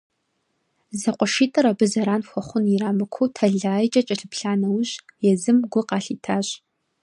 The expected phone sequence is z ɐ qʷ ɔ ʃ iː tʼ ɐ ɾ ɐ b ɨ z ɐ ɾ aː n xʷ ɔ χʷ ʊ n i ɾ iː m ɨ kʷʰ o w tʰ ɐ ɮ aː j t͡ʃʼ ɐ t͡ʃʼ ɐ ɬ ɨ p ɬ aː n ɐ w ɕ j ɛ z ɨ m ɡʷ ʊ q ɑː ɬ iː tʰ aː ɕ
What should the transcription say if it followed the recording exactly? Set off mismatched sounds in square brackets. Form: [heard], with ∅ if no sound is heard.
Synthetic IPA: z ɐ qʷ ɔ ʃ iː tʼ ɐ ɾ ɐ b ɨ z ɐ ɾ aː n xʷ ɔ χʷ ʊ n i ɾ [aː] m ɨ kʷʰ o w tʰ ɐ ɮ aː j t͡ʃʼ ɐ t͡ʃʼ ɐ ɬ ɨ p ɬ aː n ɐ w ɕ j ɛ z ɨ m ɡʷ ʊ q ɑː ɬ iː tʰ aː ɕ